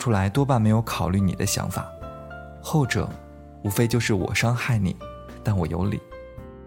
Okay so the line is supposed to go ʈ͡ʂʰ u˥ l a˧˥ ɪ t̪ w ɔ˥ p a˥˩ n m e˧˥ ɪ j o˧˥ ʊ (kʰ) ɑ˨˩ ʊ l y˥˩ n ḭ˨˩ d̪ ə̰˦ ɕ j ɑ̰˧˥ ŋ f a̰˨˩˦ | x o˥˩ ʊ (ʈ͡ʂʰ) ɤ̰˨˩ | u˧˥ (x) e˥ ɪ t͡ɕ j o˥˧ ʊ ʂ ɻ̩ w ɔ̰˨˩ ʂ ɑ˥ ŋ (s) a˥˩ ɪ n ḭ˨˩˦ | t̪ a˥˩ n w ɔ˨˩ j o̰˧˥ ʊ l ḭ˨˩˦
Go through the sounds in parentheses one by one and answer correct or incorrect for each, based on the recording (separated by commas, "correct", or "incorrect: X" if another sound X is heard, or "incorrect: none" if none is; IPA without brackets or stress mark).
correct, incorrect: ʈ͡ʂ, incorrect: f, incorrect: x